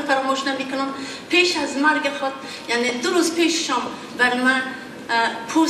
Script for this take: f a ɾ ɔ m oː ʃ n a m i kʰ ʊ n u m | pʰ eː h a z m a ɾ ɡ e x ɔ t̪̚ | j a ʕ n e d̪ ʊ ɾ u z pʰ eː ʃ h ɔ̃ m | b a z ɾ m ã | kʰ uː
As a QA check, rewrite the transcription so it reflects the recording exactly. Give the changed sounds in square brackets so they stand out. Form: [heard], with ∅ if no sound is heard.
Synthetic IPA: f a ɾ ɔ m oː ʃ n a m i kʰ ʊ n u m | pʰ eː [ʃ] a z m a ɾ ɡ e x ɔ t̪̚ | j a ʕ n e d̪ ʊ ɾ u z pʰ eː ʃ [ʃ] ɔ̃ m | b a [∅] ɾ m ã | [pʰ] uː

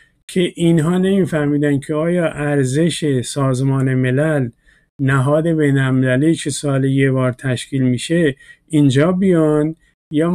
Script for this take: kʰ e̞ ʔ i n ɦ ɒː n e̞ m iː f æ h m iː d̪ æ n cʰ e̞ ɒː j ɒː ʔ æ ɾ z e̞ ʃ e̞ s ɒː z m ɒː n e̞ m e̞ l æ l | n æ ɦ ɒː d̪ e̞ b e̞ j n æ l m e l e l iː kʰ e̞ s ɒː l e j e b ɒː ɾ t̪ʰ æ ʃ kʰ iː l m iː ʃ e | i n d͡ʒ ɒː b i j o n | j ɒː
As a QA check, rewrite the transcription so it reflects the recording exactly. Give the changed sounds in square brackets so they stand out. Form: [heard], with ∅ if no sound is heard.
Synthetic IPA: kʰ e̞ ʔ i n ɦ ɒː n e̞ m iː f æ h m iː d̪ æ n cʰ e̞ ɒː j ɒː ʔ æ ɾ z e̞ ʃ e̞ s ɒː z m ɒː n e̞ m e̞ l æ l | n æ ɦ ɒː d̪ e̞ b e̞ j n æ l m e l [æ] l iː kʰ e̞ s ɒː l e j e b ɒː ɾ t̪ʰ æ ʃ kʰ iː l m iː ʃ e | i n d͡ʒ ɒː b i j [ɒ] n | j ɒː

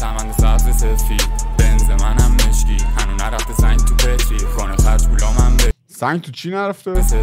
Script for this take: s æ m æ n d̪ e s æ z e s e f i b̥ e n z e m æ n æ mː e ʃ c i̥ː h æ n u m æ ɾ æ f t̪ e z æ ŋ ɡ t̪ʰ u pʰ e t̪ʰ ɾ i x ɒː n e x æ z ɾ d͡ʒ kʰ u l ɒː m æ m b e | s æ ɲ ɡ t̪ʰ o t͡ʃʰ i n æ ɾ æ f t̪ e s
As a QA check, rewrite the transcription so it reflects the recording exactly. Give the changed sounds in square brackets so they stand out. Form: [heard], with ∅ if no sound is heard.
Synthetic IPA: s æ m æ n d̪ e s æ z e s e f i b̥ e n z e m æ n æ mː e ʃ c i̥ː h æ n u [n] æ ɾ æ f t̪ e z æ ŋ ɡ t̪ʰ u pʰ e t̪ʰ ɾ i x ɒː n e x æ [∅] ɾ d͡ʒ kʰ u l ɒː m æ m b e | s æ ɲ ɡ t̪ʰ [u] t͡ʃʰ i n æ ɾ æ f t̪ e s

